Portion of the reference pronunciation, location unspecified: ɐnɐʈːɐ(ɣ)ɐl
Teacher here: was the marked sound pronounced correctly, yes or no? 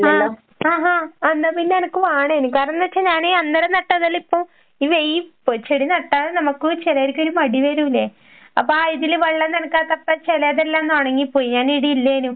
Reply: no